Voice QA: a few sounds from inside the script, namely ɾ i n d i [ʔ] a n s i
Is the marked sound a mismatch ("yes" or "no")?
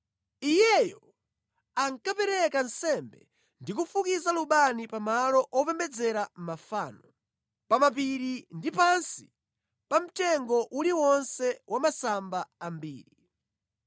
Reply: yes